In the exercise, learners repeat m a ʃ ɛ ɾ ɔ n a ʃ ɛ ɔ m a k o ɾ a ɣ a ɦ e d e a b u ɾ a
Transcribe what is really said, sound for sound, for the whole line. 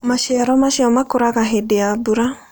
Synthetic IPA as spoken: m a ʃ ɛ ɾ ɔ m a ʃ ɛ ɔ m a k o ɾ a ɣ a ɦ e d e a b u ɾ a